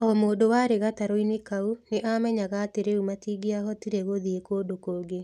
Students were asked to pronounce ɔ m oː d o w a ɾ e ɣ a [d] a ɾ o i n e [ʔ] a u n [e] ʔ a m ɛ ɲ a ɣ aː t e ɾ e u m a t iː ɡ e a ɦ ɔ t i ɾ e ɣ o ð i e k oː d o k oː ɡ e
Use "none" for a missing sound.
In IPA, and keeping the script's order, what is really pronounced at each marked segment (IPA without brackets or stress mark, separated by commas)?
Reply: t, k, e